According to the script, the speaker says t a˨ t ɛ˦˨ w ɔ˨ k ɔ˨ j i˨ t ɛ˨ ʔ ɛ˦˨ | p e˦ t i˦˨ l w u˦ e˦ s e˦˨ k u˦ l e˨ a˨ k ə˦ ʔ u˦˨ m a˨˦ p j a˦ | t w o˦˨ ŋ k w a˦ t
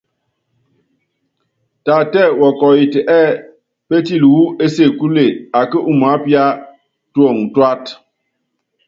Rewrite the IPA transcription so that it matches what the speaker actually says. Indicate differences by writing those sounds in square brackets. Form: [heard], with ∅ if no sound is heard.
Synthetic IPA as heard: t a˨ t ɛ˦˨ w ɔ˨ k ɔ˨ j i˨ t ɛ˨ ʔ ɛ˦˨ | p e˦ t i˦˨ l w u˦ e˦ s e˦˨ k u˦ l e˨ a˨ k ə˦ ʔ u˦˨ m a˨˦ p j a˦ | t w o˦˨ ŋ [t] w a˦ t